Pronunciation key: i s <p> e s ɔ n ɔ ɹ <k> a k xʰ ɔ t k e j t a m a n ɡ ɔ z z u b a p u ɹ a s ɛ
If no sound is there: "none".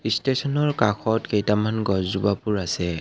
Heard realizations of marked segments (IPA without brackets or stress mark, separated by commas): t, k